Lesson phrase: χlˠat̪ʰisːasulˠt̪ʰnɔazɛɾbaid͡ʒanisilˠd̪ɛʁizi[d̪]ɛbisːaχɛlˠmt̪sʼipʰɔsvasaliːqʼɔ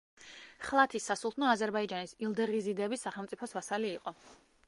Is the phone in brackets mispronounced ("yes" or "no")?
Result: no